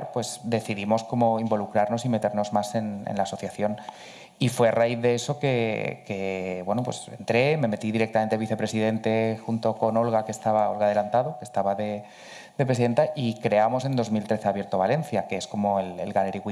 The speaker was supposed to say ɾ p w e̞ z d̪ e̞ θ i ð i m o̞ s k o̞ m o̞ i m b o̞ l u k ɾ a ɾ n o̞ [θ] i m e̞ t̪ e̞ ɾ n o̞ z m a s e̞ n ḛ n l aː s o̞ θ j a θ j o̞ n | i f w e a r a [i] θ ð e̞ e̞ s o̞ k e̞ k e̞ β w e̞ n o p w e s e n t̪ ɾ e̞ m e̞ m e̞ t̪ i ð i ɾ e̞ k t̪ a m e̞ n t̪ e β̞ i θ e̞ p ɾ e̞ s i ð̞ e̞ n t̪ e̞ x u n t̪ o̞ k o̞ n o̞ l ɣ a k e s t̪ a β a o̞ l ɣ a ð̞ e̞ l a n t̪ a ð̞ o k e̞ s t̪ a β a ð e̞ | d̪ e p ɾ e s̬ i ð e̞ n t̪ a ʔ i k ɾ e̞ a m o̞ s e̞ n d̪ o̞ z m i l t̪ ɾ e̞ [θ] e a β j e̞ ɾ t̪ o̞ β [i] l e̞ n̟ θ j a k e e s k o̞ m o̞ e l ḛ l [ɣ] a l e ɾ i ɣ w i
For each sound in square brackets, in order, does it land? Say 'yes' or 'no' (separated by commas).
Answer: no, yes, yes, no, yes